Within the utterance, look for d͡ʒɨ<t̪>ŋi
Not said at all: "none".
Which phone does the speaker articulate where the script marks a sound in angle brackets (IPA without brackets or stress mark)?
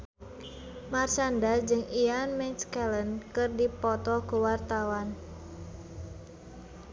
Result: none